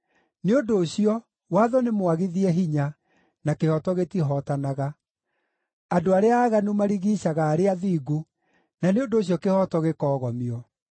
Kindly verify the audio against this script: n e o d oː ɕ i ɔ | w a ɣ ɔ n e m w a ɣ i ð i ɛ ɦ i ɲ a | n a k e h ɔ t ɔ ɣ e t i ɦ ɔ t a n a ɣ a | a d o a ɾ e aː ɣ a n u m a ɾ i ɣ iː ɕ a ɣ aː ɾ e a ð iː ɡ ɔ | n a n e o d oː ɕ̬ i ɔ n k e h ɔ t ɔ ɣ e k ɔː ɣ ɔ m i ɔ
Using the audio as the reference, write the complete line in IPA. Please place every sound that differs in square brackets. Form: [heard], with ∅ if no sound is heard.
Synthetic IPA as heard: n e o d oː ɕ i ɔ | w a [ð] ɔ n e m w a ɣ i ð i ɛ ɦ i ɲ a | n a k e h ɔ t ɔ ɣ e t i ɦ ɔ t a n a ɣ a | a d o a ɾ e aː ɣ a n u m a ɾ i ɣ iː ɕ a ɣ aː ɾ e a ð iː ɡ [u] | n a n e o d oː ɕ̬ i ɔ [∅] k e h ɔ t ɔ ɣ e k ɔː ɣ ɔ m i ɔ